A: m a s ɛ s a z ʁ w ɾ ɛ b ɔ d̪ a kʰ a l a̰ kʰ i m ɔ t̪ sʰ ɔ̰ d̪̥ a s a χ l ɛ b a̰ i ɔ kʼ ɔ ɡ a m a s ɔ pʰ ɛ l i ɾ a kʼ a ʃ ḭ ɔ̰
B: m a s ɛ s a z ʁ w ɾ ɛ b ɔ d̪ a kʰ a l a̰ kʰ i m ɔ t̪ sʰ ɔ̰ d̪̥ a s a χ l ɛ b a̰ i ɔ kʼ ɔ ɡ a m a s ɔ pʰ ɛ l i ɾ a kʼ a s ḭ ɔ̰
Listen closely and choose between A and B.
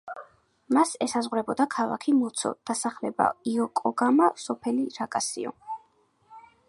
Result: B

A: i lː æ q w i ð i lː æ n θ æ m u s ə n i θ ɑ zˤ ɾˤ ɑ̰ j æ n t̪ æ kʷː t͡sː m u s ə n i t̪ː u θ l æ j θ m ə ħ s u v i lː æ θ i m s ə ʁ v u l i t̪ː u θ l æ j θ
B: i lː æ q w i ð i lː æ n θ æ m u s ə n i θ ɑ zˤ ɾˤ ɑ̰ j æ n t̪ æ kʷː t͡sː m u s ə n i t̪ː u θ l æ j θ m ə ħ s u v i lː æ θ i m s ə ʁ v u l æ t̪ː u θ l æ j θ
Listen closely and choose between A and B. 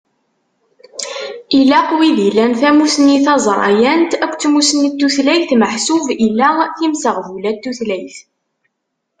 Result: B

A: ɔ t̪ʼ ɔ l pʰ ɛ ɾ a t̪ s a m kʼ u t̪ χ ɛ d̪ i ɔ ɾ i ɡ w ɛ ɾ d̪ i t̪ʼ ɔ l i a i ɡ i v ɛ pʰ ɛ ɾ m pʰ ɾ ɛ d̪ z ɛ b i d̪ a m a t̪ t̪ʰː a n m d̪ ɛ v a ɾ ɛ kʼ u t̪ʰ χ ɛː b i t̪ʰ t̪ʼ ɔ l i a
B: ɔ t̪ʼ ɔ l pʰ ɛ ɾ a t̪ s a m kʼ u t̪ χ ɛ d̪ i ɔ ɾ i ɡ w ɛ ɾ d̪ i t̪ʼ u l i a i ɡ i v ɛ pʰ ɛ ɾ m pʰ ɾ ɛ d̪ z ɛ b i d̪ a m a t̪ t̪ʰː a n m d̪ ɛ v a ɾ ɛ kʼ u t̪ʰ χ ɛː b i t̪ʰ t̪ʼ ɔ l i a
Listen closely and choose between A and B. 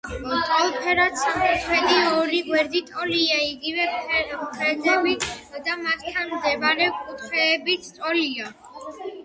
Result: A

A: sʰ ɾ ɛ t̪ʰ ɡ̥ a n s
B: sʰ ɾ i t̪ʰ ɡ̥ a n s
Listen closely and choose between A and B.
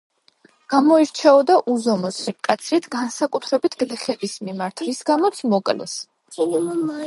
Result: B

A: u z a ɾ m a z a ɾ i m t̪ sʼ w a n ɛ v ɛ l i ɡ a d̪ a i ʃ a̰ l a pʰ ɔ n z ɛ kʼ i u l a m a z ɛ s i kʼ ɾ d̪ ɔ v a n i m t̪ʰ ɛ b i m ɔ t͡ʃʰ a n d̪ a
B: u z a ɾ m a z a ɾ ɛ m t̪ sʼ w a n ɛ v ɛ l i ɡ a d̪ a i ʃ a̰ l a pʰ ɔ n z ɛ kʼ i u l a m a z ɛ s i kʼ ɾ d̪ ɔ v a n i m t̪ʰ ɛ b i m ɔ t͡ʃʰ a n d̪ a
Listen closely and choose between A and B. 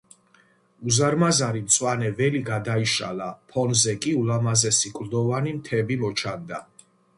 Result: A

